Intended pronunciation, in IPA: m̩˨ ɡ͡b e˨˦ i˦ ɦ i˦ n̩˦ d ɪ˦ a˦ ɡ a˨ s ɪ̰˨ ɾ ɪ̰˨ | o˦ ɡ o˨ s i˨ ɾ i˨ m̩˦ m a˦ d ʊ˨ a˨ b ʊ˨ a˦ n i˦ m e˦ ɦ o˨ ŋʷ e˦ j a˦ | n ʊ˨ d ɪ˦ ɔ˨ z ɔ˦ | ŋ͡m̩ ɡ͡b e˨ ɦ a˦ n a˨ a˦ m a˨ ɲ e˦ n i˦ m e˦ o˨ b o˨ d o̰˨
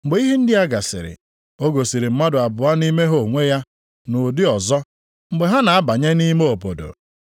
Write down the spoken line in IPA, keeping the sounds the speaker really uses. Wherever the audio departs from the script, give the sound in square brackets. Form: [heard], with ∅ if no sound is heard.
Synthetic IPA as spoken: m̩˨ ɡ͡b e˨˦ i˦ ɦ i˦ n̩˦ d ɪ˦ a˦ ɡ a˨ s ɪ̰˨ ɾ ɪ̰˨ | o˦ ɡ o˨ s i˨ ɾ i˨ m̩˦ m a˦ d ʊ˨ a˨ b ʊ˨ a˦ n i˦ m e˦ ɦ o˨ ŋʷ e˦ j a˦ | n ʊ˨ d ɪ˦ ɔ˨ z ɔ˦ | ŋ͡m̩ ɡ͡b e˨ ɦ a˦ n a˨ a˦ [b] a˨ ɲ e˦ n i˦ m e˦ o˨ [p] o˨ d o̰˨